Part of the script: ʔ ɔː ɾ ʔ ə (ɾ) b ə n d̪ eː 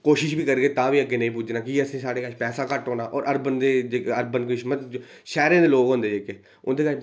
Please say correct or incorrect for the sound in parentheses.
correct